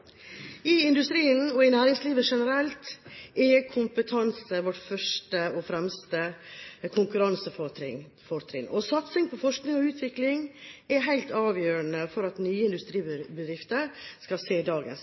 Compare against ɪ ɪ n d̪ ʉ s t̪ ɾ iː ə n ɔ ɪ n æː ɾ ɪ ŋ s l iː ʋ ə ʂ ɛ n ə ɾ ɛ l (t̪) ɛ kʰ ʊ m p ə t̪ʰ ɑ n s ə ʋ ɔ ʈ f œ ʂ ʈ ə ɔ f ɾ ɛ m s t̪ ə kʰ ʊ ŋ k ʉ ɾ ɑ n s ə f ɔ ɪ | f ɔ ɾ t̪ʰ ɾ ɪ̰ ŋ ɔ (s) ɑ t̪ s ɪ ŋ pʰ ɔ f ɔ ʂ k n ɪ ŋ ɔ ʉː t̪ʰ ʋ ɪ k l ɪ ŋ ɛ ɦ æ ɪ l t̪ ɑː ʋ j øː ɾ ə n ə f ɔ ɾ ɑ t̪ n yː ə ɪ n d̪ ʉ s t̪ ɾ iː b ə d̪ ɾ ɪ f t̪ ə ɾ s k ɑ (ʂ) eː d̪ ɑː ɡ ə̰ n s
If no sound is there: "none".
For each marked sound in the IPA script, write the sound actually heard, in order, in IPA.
t̪, s, s

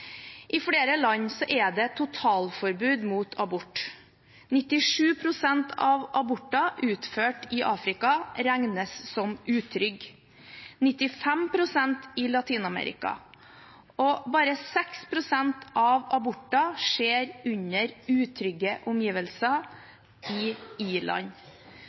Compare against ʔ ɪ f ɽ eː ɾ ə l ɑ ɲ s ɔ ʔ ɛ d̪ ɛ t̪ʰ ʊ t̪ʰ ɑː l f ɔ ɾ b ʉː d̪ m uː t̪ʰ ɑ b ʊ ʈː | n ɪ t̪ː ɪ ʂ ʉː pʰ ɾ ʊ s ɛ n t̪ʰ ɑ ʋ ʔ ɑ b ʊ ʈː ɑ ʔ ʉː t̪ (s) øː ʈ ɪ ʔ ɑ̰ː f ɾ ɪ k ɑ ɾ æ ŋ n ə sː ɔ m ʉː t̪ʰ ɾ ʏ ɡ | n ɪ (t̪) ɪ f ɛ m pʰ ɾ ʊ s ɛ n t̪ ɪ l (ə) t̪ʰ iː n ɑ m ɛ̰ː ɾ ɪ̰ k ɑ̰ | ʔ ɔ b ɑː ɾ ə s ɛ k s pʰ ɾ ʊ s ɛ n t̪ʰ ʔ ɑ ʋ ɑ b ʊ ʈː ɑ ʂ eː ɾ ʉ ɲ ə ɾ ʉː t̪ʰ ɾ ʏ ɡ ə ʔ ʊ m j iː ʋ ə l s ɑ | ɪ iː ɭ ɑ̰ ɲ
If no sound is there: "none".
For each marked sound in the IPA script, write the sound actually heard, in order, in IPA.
f, t̪, ɑ

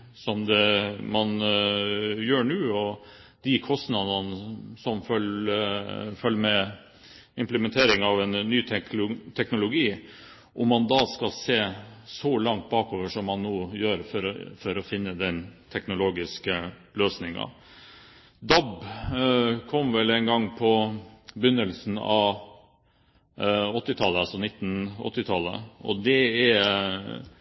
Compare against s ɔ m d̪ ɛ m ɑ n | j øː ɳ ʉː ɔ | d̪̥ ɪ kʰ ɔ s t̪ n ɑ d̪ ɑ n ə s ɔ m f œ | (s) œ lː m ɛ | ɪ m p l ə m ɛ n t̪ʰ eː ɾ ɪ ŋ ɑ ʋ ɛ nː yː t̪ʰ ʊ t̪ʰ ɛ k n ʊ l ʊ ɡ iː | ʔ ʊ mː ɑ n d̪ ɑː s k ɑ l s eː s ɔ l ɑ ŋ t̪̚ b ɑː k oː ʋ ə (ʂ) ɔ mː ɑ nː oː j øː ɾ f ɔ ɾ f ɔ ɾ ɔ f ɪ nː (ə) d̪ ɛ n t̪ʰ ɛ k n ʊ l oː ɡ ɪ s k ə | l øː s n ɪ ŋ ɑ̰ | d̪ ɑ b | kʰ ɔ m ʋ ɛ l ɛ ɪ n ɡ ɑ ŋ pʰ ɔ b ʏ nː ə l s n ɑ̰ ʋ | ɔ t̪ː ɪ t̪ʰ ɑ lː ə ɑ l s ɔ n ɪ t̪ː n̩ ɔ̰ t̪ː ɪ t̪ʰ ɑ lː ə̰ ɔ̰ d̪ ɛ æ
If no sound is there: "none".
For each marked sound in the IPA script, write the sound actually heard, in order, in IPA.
f, ʂ, ə

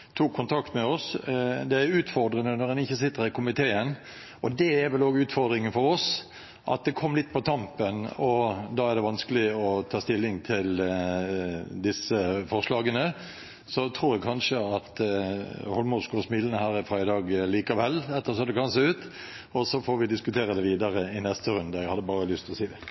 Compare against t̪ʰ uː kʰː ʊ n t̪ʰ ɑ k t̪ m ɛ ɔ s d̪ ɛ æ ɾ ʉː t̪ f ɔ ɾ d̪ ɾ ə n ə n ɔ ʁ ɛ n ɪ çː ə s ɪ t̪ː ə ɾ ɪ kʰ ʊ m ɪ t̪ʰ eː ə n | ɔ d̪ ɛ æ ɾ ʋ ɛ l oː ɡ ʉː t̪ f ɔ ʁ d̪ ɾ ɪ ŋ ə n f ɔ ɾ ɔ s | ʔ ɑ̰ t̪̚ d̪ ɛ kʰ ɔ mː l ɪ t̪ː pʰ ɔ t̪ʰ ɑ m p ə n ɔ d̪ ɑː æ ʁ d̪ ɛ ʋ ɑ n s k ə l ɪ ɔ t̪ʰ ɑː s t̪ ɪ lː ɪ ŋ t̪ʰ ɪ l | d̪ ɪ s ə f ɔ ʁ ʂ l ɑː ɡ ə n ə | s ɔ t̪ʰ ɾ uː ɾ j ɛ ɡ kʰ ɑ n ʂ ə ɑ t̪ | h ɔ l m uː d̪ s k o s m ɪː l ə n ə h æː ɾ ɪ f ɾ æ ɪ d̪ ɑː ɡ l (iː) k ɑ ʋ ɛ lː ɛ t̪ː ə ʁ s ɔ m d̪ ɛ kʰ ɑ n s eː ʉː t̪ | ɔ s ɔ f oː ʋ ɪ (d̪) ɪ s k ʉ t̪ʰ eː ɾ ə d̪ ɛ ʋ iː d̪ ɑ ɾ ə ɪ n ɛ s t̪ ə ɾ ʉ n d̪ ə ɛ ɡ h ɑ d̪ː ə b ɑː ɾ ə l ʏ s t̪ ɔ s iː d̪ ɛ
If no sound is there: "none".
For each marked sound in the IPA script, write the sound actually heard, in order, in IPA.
iː, d̪

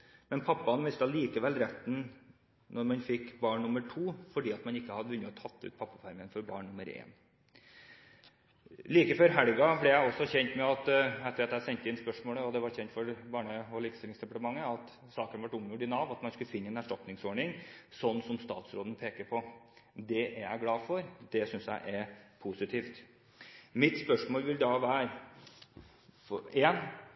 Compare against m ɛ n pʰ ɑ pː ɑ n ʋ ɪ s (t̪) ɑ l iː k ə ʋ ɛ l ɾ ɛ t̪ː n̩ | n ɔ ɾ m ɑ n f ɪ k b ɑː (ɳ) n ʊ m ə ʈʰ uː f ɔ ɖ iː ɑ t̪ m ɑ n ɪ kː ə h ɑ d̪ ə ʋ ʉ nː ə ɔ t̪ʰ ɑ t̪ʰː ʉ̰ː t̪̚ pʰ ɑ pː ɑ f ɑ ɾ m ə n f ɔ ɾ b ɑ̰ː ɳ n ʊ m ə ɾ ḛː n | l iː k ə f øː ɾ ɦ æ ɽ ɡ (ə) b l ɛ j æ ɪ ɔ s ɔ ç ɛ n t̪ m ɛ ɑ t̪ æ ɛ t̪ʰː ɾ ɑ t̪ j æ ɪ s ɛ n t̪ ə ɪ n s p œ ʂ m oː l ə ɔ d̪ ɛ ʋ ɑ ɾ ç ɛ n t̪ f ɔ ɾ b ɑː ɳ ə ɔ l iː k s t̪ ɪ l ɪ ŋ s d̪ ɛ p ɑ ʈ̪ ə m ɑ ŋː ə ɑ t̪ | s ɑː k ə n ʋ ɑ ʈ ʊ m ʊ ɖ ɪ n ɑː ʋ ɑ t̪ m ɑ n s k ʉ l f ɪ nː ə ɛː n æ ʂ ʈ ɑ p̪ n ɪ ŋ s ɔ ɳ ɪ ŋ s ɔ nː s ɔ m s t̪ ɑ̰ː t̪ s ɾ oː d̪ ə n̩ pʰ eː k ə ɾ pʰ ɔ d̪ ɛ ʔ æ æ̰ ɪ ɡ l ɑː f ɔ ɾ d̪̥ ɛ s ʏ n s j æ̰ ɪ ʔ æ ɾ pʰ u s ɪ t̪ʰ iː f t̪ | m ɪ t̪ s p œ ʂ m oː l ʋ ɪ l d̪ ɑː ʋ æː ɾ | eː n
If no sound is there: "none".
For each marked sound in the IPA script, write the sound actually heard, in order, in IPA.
t̪, ɳ, ɑ

